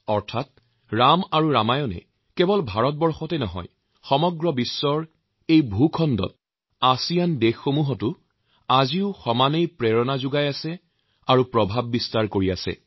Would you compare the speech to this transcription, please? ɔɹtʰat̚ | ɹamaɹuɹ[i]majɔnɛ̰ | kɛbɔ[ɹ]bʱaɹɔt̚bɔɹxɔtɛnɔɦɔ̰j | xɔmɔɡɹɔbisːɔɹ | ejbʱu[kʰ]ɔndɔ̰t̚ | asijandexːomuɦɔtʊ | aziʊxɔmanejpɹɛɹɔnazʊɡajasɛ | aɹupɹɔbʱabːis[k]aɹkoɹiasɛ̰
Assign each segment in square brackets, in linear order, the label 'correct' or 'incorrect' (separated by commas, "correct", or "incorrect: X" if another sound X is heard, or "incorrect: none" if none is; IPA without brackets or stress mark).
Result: incorrect: a, incorrect: l, correct, incorrect: t